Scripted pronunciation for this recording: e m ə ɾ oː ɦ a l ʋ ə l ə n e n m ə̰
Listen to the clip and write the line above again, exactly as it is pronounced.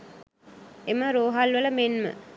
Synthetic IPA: e m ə ɾ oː ɦ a l ʋ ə l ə m e n m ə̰